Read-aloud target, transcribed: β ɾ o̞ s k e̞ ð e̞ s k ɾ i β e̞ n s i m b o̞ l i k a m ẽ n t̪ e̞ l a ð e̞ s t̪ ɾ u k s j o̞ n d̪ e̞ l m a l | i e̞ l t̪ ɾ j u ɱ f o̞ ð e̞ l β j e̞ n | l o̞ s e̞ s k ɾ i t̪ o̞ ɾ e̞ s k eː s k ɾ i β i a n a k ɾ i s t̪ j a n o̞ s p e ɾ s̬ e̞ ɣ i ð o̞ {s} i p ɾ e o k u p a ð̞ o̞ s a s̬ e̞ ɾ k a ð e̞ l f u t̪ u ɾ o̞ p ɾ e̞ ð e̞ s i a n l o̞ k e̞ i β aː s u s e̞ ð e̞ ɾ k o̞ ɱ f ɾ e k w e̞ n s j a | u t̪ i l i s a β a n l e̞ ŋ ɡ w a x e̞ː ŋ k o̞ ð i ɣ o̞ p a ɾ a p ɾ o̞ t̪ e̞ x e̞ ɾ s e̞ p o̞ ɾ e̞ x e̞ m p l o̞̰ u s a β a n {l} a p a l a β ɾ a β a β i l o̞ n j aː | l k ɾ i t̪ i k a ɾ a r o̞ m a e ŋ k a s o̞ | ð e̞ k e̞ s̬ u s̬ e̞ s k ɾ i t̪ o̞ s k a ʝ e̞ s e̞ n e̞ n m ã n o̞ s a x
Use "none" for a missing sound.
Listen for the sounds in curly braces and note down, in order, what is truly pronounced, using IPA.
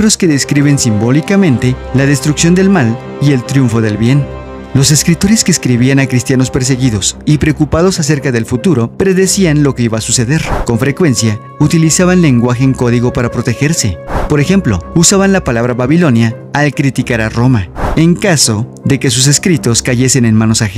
s, l

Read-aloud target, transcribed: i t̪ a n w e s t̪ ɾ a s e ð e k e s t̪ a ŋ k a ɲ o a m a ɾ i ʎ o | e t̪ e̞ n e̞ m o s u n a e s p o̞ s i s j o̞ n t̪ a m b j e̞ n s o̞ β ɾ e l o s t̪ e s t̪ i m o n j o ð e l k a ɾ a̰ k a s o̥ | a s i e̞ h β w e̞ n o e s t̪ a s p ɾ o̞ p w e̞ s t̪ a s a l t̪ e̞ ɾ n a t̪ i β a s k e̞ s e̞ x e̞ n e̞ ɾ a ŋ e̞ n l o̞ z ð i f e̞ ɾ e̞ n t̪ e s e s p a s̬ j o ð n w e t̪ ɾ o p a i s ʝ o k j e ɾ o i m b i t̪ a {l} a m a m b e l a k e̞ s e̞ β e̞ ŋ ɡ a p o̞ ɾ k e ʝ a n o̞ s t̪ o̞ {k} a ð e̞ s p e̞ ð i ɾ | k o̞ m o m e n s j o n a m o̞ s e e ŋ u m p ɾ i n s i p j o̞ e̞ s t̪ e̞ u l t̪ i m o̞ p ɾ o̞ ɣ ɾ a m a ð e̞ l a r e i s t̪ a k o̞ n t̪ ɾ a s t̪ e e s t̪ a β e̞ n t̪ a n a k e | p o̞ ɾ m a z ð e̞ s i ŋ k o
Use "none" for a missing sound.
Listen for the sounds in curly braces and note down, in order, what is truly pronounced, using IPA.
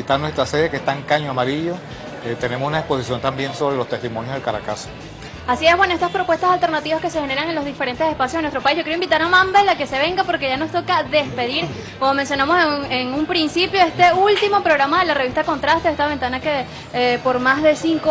ɾ, k

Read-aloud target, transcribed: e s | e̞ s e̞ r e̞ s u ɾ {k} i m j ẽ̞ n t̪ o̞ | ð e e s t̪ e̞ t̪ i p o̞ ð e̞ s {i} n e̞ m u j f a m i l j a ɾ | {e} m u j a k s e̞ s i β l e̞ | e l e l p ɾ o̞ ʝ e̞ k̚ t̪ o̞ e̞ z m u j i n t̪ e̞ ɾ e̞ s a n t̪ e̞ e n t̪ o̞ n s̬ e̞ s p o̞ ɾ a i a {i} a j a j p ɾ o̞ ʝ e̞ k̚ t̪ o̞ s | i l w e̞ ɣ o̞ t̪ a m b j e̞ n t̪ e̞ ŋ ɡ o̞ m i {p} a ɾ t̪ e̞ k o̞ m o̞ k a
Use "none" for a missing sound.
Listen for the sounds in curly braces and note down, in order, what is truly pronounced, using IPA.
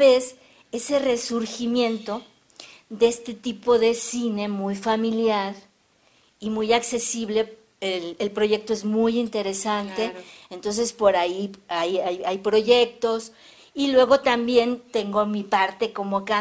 x, i, i, j, p

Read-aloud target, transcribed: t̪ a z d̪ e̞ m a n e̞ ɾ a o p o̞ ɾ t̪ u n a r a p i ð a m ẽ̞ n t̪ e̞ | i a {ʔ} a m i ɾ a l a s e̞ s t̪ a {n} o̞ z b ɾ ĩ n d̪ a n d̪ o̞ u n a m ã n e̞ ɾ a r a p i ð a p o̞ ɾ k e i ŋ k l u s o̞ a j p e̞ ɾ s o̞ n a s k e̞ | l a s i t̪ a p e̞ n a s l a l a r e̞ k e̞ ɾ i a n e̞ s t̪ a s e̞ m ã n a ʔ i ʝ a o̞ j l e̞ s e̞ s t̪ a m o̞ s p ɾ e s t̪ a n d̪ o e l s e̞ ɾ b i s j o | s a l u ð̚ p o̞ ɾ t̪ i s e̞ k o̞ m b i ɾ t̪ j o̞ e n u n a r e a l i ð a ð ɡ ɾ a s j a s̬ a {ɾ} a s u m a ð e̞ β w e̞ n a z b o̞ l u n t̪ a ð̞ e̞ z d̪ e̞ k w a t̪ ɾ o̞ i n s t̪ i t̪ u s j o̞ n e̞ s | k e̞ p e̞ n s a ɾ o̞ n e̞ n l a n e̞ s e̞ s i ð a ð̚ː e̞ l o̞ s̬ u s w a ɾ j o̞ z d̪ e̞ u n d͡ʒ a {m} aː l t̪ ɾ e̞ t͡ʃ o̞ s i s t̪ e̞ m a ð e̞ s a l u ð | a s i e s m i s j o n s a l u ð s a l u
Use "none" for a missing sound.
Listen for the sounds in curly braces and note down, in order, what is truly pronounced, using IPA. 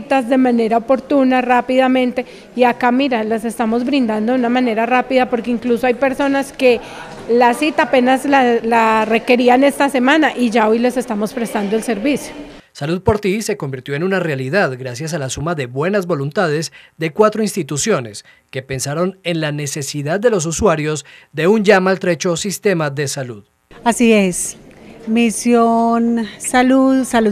k, m, l, m

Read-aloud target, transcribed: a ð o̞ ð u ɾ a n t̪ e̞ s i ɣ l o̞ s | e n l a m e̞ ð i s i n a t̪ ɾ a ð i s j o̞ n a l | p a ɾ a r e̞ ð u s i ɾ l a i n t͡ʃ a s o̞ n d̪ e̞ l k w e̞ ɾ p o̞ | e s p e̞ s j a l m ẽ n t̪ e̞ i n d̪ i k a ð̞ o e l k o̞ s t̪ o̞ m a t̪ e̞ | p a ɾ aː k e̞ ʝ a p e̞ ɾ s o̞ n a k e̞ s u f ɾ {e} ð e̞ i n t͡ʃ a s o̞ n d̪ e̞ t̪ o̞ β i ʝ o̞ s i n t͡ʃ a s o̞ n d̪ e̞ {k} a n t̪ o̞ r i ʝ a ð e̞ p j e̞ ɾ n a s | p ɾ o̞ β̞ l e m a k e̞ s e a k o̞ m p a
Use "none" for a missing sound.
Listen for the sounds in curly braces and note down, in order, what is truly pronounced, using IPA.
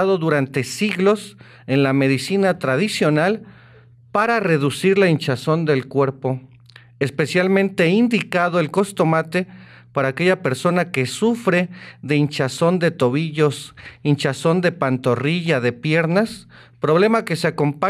e, p

